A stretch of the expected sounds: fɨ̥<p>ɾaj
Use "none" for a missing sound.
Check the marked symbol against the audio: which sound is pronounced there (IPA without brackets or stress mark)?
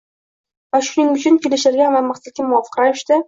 q